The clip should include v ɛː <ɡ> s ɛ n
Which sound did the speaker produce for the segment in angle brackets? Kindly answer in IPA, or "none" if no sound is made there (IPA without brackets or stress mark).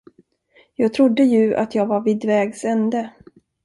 ɡ